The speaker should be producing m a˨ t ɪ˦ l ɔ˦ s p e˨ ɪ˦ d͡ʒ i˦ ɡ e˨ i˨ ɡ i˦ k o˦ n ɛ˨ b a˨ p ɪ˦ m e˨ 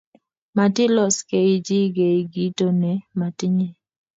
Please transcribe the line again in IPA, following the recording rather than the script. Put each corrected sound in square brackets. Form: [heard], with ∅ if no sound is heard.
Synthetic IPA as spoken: m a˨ t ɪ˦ l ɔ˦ s [k] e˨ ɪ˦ d͡ʒ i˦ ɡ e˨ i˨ ɡ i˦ [t] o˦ n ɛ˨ [m] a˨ [t] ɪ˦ [ɲ] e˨